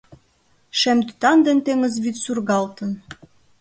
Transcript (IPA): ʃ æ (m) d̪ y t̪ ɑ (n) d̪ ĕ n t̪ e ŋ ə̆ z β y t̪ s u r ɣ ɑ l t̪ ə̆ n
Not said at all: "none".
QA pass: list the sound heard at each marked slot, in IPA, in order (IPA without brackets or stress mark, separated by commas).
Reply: m, n